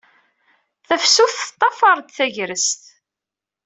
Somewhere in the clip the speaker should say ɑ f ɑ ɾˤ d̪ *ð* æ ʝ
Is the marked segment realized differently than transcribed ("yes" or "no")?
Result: yes